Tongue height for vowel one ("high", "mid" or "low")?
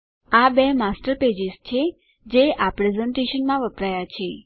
low